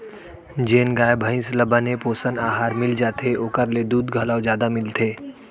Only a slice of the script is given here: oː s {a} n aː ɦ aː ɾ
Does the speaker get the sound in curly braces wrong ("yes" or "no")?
yes